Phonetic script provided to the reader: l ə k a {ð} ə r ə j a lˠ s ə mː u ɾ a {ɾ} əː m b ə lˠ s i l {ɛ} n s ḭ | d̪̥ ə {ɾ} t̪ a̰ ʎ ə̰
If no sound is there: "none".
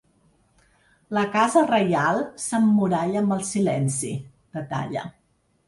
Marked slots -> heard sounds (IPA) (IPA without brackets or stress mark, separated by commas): z, ʎ, ɛ, none